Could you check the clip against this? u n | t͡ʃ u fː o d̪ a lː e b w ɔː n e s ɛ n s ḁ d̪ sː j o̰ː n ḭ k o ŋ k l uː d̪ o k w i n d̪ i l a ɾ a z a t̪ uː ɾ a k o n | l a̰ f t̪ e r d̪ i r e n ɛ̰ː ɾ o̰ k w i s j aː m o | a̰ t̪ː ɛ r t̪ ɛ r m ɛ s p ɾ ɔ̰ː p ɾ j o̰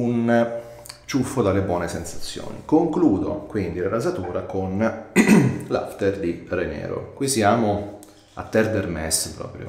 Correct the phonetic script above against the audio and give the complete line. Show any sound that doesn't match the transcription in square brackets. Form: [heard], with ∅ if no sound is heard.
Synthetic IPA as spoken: u n | t͡ʃ u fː o d̪ a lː e b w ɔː n e s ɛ n s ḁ [t̪] sː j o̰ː n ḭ k o ŋ k l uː d̪ o k w i n d̪ i l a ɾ a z a t̪ uː ɾ a k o n | l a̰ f t̪ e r d̪ i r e n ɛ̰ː ɾ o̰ k w i s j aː m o | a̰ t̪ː ɛ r [d̪] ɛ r m ɛ s p ɾ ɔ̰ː p ɾ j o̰